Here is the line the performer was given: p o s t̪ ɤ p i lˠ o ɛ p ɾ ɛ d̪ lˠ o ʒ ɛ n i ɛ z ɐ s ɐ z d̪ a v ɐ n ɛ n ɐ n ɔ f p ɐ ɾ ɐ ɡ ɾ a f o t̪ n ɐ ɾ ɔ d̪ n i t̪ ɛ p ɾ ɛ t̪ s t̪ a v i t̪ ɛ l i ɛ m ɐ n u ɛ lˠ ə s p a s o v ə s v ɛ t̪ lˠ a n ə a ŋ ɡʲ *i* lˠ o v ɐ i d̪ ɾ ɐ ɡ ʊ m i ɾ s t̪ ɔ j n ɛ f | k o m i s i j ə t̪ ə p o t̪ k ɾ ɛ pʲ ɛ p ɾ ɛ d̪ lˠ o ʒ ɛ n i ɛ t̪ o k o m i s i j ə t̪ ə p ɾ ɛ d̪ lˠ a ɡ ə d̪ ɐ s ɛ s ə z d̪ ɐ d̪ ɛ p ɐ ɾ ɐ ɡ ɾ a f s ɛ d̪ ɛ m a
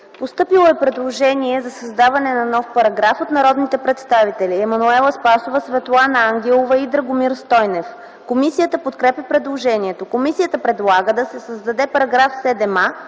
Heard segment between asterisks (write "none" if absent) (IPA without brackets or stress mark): ɛ